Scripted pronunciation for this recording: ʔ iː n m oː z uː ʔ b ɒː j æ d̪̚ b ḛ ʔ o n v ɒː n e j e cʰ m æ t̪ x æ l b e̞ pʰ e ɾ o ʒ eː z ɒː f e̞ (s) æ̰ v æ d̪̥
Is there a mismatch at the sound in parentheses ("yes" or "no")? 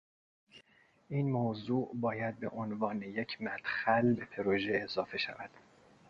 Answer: yes